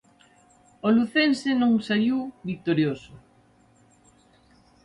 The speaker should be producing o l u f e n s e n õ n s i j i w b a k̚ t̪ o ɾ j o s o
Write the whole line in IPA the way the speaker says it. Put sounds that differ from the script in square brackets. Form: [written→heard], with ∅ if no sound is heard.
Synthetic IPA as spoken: o l u [f→θ] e n s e n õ [n→ŋ] s [i→a] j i w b [a→i] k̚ t̪ o ɾ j o s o